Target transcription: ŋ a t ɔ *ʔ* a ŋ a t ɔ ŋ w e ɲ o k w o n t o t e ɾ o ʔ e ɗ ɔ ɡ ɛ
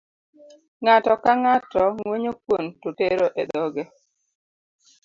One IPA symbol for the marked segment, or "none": k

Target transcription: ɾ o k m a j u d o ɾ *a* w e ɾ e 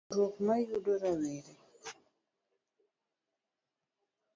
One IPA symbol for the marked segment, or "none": a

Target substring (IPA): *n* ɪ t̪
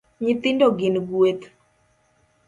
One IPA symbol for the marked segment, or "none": ɲ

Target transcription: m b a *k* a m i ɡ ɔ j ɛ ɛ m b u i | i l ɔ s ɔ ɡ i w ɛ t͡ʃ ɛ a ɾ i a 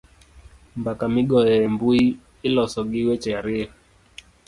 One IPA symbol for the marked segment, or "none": k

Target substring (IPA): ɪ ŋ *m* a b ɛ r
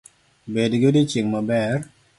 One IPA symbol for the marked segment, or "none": m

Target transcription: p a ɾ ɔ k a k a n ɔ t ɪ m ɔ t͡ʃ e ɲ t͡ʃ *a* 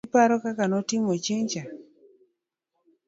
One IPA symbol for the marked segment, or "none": a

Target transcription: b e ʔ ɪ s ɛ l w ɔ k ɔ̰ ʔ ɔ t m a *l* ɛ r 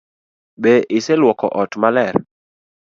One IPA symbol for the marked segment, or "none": l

